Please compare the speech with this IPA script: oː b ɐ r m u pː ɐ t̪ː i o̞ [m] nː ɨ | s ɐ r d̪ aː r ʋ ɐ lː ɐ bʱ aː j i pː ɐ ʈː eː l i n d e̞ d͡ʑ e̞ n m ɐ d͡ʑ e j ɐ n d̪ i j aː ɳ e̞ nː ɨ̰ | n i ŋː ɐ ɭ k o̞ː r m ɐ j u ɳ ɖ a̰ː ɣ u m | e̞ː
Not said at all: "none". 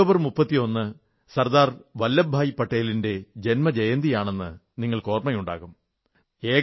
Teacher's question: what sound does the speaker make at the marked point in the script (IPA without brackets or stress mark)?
none